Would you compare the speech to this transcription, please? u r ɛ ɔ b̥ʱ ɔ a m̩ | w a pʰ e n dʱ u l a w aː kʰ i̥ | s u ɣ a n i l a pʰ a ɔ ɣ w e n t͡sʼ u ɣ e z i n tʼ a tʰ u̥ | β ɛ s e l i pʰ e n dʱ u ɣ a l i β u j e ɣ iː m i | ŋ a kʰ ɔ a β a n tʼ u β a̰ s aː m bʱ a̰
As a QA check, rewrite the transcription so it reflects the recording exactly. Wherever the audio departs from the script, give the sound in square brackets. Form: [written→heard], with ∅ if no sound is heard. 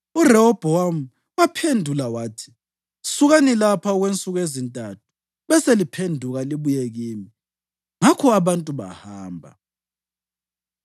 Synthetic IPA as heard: u r ɛ ɔ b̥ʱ ɔ a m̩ | w a pʰ e n dʱ u l a w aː [kʰ→tʰ] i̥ | s u ɣ a n i l a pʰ a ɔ ɣ w e n t͡sʼ u ɣ e z i n tʼ a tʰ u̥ | β ɛ s e l i pʰ e n dʱ u ɣ a l i β u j e ɣ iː m i | ŋ a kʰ ɔ a β a n tʼ u β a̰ [s→h] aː m bʱ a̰